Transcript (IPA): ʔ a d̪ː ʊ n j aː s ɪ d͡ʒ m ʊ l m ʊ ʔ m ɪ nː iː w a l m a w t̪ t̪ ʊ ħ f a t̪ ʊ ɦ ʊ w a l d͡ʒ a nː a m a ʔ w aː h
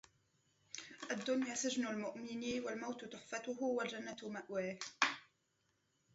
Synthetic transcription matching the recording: ʔ a d̪ː ʊ n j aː s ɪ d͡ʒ n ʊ l m ʊ ʔ m ɪ n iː w a l m a w t̪ t̪ ʊ ħ f a t̪ ʊ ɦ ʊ w a l d͡ʒ a nː a m a ʔ w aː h